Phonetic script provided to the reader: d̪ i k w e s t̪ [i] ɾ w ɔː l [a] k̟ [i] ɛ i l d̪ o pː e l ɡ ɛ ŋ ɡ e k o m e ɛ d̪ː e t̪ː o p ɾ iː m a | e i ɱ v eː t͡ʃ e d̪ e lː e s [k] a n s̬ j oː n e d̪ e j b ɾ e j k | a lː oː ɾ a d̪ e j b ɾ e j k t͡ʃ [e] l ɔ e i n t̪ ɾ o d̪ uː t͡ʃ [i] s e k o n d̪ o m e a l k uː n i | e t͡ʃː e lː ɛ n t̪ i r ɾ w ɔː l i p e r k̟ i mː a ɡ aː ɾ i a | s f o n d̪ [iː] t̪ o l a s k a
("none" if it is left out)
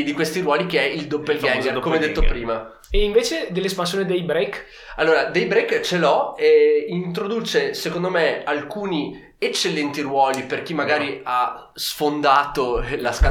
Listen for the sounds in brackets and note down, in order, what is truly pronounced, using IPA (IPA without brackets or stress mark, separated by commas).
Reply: i, i, e, p, e, e, aː